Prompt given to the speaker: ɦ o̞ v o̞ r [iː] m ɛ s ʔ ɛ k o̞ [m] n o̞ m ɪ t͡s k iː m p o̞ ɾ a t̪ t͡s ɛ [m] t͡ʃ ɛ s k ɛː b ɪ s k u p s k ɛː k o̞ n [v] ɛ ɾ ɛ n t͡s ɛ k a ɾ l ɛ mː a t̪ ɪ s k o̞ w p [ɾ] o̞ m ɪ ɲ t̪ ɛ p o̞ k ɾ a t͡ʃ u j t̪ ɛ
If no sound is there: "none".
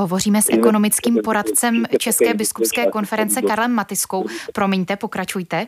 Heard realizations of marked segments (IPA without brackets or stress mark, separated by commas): iː, none, m, f, ɾ